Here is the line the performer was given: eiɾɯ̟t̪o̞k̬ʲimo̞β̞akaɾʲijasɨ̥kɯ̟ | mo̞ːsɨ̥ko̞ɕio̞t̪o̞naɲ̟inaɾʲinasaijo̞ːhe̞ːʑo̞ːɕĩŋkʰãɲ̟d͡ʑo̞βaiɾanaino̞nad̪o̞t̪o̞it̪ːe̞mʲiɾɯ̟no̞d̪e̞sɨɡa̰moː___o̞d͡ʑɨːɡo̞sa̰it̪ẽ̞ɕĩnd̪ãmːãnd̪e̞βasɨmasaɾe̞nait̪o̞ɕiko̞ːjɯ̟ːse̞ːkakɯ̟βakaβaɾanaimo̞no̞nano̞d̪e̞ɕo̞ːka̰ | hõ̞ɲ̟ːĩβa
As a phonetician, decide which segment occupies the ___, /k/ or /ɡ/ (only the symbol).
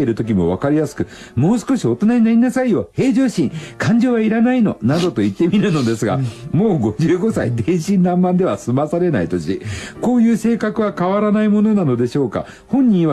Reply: ɡ